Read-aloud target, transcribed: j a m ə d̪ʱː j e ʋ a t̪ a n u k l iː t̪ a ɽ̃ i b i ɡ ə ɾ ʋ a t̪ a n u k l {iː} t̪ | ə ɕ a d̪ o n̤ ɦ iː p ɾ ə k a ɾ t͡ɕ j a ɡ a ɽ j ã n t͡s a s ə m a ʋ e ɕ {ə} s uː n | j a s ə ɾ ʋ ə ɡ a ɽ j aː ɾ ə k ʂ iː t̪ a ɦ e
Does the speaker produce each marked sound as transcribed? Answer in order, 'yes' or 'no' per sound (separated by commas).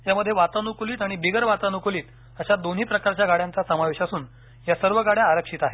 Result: yes, no